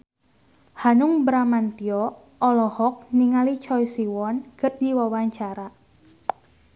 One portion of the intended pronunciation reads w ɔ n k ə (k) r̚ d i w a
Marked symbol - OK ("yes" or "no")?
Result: no